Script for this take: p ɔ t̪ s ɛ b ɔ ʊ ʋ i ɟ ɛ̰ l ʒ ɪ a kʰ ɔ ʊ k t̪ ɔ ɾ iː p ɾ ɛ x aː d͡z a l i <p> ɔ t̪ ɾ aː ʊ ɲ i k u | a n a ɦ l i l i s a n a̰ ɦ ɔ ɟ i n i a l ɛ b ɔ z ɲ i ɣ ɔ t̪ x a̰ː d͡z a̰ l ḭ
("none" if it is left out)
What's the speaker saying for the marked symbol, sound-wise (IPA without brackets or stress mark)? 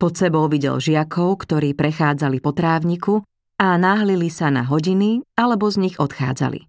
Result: p